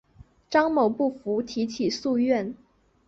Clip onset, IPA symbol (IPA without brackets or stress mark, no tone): ʈ͡ʂ